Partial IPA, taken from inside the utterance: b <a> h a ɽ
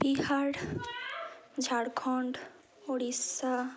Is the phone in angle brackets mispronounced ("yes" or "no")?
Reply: yes